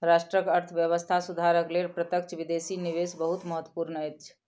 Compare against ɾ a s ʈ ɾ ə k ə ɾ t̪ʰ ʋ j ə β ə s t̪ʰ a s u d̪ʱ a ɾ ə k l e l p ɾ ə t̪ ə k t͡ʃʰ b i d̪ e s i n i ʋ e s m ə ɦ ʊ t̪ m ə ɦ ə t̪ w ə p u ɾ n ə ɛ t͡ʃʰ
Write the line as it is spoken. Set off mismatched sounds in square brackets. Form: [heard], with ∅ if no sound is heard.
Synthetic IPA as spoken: ɾ a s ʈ ɾ ə k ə ɾ t̪ʰ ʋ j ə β ə s t̪ʰ a s u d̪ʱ a ɾ ə k l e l p ɾ ə t̪ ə k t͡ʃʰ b i d̪ e s i n i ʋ e s [b] ə ɦ [u] t̪ m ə ɦ ə t̪ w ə p u ɾ n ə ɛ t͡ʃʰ